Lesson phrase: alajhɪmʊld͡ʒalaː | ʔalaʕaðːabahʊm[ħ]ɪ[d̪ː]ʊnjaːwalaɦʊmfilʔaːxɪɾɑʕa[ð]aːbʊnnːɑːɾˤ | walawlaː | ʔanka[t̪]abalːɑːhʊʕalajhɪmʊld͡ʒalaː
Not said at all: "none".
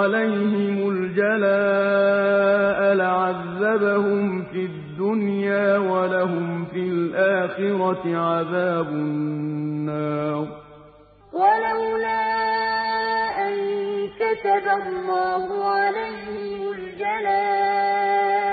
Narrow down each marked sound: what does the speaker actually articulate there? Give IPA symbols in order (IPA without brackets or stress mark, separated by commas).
f, d̪ː, ð, t̪